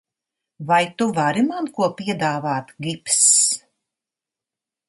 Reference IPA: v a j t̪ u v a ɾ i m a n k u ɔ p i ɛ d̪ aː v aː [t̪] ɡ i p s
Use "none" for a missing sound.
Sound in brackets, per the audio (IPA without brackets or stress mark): t̪